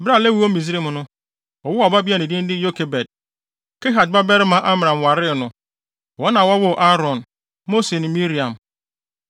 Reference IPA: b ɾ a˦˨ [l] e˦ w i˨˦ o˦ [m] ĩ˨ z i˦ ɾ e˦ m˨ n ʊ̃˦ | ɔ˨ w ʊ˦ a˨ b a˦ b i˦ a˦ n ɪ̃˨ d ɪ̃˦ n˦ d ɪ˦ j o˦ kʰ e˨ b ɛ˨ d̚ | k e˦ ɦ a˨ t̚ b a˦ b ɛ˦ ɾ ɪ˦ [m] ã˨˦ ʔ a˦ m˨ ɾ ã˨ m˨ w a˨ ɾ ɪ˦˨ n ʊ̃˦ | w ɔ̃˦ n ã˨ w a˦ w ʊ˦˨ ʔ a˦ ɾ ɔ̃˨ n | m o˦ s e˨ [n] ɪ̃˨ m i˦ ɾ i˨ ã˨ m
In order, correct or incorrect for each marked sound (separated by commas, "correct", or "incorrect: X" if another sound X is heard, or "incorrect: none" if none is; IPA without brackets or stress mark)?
correct, correct, correct, correct